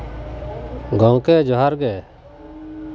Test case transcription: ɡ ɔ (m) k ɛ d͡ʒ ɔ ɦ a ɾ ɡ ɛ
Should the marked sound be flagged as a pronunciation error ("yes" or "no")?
yes